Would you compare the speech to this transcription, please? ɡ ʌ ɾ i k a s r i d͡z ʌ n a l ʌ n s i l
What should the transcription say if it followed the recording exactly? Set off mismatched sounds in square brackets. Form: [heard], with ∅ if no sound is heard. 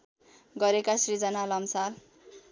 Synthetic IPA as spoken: ɡ ʌ ɾ [e] k a s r i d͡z ʌ n a l ʌ [m] s [a] l